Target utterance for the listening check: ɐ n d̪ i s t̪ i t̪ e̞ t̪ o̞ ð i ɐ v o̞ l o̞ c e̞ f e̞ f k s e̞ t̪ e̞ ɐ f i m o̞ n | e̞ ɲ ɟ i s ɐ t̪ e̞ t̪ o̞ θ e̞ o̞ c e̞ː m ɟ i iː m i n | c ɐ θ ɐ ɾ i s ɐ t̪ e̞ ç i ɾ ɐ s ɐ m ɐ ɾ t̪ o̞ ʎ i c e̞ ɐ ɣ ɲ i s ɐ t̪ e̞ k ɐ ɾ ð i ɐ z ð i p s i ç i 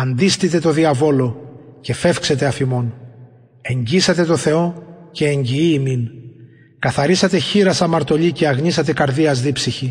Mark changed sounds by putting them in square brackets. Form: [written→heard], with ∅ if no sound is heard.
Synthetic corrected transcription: ɐ n d̪ i s t̪ i t̪ e̞ t̪ o̞ ð i ɐ v o̞ l o̞ c e̞ f e̞ f k s e̞ t̪ e̞ ɐ f i m o̞ n | e̞ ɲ ɟ i s ɐ t̪ e̞ t̪ o̞ θ e̞ o̞ c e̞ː [m→ɲ] ɟ i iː m i n | [c→k] ɐ θ ɐ ɾ i s ɐ t̪ e̞ ç i ɾ ɐ s ɐ m ɐ ɾ t̪ o̞ ʎ i c e̞ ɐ ɣ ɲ i s ɐ t̪ e̞ k ɐ ɾ ð i ɐ z ð i p s i ç i